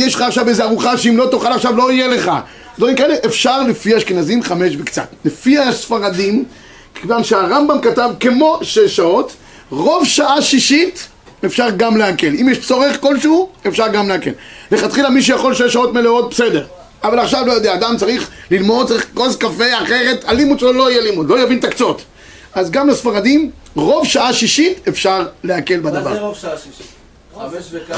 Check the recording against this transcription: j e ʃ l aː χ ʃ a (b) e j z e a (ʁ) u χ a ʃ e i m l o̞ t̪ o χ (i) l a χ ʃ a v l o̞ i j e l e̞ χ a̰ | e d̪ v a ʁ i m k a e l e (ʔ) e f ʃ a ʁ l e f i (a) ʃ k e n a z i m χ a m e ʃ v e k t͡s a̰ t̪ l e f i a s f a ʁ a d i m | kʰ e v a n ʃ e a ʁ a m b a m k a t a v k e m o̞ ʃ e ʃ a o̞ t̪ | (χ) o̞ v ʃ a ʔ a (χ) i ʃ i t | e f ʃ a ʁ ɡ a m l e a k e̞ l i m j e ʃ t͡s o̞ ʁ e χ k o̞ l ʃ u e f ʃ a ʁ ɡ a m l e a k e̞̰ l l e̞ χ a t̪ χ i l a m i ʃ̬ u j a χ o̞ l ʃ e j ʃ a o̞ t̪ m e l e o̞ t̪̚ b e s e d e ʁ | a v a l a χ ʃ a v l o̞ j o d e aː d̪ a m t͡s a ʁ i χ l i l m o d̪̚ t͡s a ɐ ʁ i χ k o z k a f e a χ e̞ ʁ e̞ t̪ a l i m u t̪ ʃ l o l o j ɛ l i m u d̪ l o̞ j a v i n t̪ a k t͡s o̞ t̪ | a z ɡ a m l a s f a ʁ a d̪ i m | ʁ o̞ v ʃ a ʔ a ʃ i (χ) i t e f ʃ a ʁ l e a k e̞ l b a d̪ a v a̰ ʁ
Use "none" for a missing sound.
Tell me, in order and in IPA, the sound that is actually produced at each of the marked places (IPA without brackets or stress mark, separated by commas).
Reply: v, ʁ, a, ʔ, a, ʁ, ʃ, ʃ